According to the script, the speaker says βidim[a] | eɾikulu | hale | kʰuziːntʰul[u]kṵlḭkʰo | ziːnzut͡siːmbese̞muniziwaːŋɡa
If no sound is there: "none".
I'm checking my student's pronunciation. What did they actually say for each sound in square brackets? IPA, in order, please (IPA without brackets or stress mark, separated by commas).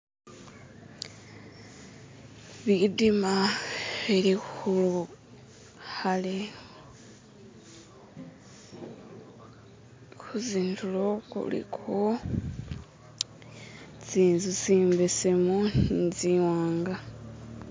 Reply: a, o